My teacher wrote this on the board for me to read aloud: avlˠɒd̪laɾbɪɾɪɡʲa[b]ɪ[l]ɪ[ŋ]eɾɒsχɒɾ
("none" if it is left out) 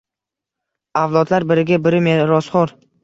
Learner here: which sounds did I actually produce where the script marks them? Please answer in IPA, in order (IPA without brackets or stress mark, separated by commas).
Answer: b, ɾ, m